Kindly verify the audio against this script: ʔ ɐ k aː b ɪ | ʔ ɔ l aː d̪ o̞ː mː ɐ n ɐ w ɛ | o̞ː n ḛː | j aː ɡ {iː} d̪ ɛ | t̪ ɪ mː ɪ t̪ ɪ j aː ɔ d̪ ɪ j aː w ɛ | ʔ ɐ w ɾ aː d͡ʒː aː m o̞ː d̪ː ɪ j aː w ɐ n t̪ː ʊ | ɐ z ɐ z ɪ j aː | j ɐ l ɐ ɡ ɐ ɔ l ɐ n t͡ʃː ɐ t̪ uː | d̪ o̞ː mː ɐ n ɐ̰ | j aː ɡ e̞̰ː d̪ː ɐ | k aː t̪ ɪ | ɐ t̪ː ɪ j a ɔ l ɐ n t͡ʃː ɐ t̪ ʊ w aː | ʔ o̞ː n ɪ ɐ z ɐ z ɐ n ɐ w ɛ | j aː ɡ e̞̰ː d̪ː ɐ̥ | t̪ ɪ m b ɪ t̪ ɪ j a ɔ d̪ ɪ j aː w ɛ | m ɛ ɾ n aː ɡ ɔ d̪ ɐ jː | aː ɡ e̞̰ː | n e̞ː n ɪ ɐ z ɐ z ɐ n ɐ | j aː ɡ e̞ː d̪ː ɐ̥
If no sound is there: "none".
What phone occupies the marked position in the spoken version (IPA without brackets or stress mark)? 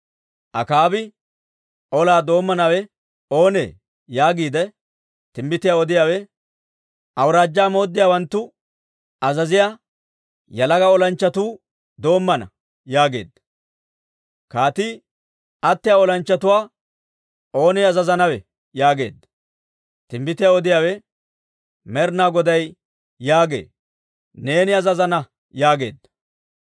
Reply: iː